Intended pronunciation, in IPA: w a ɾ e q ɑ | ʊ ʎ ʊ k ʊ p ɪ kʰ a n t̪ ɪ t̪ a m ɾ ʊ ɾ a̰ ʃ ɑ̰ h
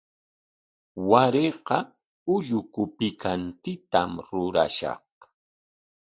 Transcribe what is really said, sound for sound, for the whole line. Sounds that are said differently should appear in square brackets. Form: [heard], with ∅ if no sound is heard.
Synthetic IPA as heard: w a ɾ e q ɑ | ʊ ʎ ʊ k ʊ p ɪ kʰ a n t̪ ɪ t̪ a m ɾ ʊ ɾ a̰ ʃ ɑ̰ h